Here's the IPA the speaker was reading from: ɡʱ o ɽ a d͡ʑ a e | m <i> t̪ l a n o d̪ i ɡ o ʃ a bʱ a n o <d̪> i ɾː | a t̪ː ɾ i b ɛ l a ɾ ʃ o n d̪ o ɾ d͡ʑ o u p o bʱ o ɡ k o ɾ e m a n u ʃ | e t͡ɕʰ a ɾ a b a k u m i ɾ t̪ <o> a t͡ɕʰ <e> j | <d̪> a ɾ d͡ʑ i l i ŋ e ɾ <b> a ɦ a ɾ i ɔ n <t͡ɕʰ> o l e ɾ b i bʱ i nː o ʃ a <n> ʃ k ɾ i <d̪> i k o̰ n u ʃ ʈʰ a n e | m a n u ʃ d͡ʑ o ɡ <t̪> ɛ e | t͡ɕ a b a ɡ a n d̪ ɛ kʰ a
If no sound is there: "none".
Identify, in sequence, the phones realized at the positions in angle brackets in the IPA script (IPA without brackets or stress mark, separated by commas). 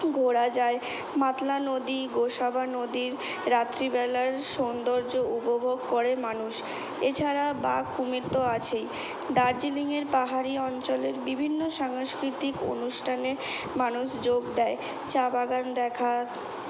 a, d̪, o, e, d̪, p, t͡ɕ, ŋ, t̪, d̪